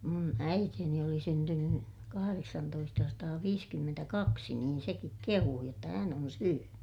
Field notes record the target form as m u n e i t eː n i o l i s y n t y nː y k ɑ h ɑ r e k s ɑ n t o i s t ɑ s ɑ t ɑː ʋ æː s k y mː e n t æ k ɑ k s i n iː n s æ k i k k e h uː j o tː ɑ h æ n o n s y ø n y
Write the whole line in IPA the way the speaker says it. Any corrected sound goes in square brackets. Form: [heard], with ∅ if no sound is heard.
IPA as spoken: m u n [æ] i t eː n i o l i s y n t y nː y k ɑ h ɑ r e k s ɑ n t o i s t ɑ s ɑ t ɑː ʋ [iː] s k y mː e n t æ k ɑ k s i n iː n s [e] k i k k e h uː j o tː ɑ h æ n o n s y ø n y